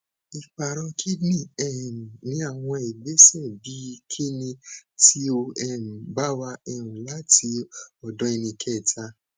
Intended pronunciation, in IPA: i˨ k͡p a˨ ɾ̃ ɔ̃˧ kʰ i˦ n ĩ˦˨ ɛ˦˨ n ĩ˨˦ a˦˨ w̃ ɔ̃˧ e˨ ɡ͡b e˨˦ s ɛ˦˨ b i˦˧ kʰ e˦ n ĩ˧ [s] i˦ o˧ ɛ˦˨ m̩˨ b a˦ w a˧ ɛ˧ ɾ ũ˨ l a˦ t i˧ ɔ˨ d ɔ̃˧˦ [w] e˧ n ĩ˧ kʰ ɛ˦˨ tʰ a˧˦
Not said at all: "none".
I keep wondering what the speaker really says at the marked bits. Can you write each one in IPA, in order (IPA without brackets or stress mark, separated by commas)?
t, none